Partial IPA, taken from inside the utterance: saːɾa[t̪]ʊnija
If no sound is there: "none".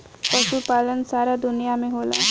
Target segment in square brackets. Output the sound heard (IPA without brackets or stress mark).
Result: d̪